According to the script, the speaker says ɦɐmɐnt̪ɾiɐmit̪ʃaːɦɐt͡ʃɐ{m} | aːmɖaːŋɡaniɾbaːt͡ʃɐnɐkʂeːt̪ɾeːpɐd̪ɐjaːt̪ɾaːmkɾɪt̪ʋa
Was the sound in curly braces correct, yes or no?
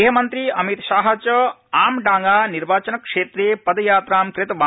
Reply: no